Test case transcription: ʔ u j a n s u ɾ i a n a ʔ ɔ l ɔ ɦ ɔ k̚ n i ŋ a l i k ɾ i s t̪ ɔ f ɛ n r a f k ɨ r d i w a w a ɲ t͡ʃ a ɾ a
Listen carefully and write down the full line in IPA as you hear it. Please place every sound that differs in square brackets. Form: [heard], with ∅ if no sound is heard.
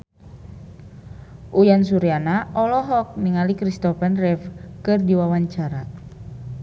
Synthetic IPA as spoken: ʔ u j a n s u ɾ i a n a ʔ ɔ l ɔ ɦ ɔ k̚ n i ŋ a l i k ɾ i s t̪ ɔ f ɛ n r [ɛ] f k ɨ r d i w a w a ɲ t͡ʃ a ɾ a